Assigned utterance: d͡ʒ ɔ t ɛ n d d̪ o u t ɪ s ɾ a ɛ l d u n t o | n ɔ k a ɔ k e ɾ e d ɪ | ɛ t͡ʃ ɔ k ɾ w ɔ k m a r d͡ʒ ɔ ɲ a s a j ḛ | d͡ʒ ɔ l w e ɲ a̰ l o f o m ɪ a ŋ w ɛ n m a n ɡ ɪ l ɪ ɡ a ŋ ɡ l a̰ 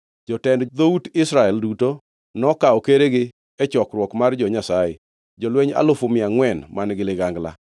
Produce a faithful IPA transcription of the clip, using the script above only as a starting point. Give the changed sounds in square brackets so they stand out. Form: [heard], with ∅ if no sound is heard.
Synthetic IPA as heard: d͡ʒ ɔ t ɛ n d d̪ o u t ɪ s ɾ a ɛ l d u [∅] t o | n ɔ k a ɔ k e ɾ e [ɡ] ɪ | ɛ t͡ʃ ɔ k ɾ w ɔ k m a r d͡ʒ ɔ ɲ a s a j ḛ | d͡ʒ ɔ l w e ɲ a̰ l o f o m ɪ a ŋ w ɛ n m a n ɡ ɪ l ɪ ɡ a ŋ ɡ l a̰

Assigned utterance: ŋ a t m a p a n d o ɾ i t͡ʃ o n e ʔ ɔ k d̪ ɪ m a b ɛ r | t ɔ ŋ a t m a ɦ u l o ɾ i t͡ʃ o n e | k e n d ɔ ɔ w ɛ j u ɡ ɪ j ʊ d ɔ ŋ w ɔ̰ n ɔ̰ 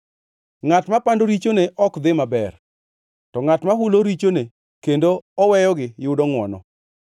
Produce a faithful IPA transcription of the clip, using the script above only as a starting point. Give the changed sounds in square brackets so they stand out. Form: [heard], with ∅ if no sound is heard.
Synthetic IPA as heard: ŋ a t m a p a n d o ɾ i t͡ʃ o n e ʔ ɔ k d̪ ɪ m a b ɛ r | t ɔ ŋ a t m a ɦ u l o ɾ i t͡ʃ o n e | k e n d [o] ɔ w ɛ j [ɔ] ɡ ɪ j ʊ d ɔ ŋ w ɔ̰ n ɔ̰

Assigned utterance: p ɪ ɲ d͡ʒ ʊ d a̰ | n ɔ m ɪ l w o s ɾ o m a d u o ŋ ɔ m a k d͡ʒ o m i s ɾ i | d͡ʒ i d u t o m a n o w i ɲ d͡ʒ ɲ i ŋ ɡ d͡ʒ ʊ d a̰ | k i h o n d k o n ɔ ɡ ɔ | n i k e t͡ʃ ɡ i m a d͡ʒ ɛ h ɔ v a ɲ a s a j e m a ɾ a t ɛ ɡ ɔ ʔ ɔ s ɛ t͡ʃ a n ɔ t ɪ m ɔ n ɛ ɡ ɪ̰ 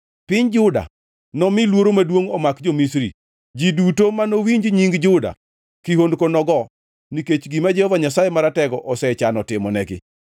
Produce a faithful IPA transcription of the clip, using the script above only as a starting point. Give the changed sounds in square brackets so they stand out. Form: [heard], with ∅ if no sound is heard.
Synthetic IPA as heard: p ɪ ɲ d͡ʒ ʊ d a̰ | n ɔ m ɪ l w o [∅] ɾ o m a d [w] o ŋ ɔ m a k d͡ʒ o m i s ɾ i | d͡ʒ i d u t o m a n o w i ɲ d͡ʒ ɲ i ŋ ɡ d͡ʒ ʊ d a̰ | k i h o n d k o n ɔ ɡ ɔ | n i k e t͡ʃ ɡ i m a d͡ʒ ɛ h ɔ v a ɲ a s a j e m a ɾ a t ɛ ɡ ɔ ʔ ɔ s ɛ t͡ʃ a n ɔ t ɪ m ɔ n ɛ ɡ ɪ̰

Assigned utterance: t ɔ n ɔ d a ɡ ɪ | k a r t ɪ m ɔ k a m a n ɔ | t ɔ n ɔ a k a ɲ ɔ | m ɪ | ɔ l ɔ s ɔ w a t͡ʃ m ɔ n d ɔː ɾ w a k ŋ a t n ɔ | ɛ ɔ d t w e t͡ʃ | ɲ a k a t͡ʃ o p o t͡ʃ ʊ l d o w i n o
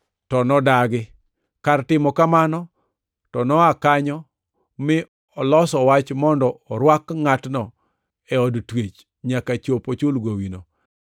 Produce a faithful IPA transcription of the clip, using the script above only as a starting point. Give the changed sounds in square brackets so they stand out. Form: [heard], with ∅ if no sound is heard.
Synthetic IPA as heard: t ɔ n ɔ d a ɡ ɪ | k a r t ɪ m ɔ k a m a n ɔ | t ɔ n ɔ a k a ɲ ɔ | m ɪ | ɔ l ɔ s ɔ w a t͡ʃ m ɔ n d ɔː ɾ w a k ŋ a t n ɔ | ɛ ɔ d t w e t͡ʃ | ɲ a k a t͡ʃ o p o t͡ʃ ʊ l [ɡ] o w i n o

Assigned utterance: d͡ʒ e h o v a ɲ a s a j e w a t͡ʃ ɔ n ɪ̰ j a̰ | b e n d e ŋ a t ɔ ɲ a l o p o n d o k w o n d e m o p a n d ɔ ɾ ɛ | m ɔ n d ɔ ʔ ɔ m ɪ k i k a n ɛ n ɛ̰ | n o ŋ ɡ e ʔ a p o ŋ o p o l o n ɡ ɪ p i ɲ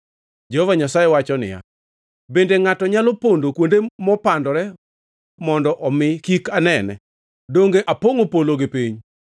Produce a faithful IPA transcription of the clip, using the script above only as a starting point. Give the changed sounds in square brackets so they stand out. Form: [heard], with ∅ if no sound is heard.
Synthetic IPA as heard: d͡ʒ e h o v a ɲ a s a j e w a t͡ʃ ɔ n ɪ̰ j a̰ | b e n d e ŋ a t ɔ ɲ a l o p o n d o k w o n d e m [ɔ] p a n d ɔ ɾ ɛ | m ɔ n d ɔ ʔ ɔ m ɪ k i k a n ɛ n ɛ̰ | [d] o ŋ ɡ e ʔ a p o ŋ o p o l o [∅] ɡ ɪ p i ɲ

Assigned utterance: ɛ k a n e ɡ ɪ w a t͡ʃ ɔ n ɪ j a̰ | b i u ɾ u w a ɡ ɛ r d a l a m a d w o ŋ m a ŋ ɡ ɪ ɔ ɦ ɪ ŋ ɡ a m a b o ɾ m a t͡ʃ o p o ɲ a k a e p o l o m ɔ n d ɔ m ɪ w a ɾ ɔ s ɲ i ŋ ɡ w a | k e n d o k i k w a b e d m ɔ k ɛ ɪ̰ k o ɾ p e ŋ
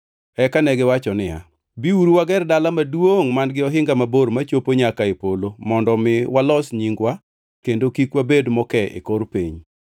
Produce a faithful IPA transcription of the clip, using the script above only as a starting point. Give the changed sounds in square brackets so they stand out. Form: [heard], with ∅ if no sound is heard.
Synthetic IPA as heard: ɛ k a n [ɛ] ɡ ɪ w a t͡ʃ ɔ n ɪ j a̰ | b i u ɾ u w a ɡ ɛ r d a l a m a d w o ŋ m a [n] ɡ ɪ ɔ ɦ ɪ ŋ ɡ a m a b o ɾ m a t͡ʃ o p o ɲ a k a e p o l o m ɔ n d ɔ m ɪ w a [l] ɔ s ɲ i ŋ ɡ w a | k e n d o k i k w a b e d m ɔ k ɛ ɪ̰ k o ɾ p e [ɲ]

